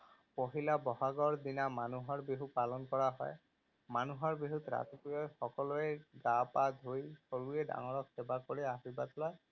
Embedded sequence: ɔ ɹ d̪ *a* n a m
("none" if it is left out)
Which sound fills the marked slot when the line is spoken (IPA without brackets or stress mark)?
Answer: i